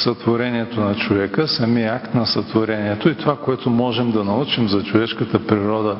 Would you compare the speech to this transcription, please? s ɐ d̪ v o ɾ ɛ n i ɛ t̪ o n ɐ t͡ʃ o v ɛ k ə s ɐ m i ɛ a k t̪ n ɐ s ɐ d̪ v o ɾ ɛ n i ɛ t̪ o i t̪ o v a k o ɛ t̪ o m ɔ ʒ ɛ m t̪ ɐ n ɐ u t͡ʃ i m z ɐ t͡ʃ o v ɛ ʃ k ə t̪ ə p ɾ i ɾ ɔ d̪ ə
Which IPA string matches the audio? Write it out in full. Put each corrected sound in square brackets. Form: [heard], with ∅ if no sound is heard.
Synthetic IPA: s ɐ [t̪] v o ɾ ɛ n i ɛ t̪ o n ɐ t͡ʃ o v ɛ k ə s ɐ m i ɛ a k t̪ n ɐ s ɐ [t̪] v o ɾ ɛ n i ɛ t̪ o i t̪ o v a k o ɛ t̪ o m ɔ ʒ ɛ m [d̪] ɐ n ɐ u t͡ʃ i m z ɐ t͡ʃ o v ɛ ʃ k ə t̪ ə p ɾ i ɾ ɔ d̪ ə